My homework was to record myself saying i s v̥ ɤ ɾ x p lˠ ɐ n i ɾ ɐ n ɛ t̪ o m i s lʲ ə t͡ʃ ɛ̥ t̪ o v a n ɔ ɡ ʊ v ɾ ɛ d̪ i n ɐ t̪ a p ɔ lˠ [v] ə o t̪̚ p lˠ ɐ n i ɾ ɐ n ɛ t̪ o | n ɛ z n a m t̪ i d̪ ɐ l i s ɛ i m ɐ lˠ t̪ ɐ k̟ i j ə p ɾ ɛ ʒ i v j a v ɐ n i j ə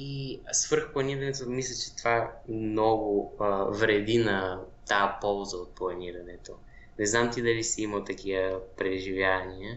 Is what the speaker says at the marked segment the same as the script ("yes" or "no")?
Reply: no